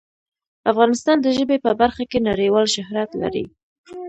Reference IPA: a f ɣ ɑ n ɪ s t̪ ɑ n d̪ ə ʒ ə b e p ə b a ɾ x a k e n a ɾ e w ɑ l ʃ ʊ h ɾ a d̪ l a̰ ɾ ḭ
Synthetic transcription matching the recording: a f ɣ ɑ n ɪ s t̪ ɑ n d̪ ə ʒ ə b e p ə b a ɾ x a k e n a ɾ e w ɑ l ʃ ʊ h ɾ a t̪ l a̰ ɾ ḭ